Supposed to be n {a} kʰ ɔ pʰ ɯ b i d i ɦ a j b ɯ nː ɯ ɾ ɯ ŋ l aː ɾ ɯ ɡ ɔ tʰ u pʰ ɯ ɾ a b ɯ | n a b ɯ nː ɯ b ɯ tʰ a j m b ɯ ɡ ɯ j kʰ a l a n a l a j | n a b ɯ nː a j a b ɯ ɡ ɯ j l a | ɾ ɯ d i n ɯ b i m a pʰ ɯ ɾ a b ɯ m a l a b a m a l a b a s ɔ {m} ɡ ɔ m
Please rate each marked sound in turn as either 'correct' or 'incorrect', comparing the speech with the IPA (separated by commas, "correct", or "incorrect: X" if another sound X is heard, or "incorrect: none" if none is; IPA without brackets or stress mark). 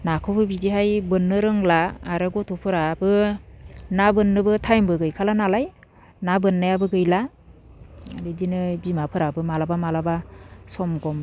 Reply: correct, correct